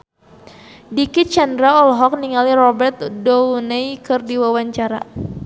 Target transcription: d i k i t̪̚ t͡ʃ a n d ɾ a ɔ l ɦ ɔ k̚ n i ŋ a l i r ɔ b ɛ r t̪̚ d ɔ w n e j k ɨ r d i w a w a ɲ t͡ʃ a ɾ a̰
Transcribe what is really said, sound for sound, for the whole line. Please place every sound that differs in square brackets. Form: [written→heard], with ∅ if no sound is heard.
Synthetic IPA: d i k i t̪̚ t͡ʃ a n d ɾ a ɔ l ɦ ɔ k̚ n i ŋ a l i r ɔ b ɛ r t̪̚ d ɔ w n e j k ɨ r d i w a w a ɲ t͡ʃ a ɾ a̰